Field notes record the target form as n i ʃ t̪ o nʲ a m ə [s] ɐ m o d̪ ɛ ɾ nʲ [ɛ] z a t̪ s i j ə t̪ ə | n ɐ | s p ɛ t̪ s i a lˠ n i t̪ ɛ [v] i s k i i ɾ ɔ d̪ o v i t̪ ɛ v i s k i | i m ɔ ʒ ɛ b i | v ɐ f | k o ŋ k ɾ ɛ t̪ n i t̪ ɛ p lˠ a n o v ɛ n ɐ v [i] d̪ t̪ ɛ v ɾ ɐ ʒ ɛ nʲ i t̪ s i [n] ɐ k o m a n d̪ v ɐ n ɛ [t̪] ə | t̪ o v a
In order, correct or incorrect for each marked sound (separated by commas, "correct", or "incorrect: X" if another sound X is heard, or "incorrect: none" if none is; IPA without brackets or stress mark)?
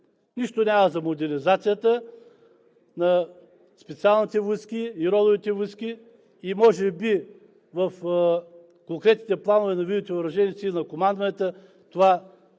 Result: incorrect: z, incorrect: i, correct, correct, correct, correct